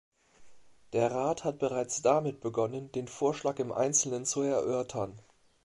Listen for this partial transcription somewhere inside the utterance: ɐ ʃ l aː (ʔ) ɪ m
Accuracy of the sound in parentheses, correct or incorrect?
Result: incorrect